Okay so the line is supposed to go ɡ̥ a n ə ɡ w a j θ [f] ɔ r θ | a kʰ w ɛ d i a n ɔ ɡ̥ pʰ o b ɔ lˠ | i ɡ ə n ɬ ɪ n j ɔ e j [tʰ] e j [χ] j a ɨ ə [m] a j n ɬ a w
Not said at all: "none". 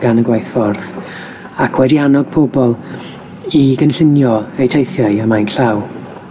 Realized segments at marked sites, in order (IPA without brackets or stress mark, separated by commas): f, tʰ, θ, m